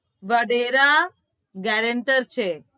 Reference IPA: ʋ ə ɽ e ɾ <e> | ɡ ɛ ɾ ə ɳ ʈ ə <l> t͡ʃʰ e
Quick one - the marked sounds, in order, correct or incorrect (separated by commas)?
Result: incorrect, incorrect